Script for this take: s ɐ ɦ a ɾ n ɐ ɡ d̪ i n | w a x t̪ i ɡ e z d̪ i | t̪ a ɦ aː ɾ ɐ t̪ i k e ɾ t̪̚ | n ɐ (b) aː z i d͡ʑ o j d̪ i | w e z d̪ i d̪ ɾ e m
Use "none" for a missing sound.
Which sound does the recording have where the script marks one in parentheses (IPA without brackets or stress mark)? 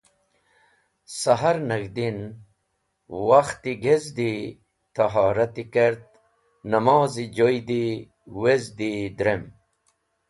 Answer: m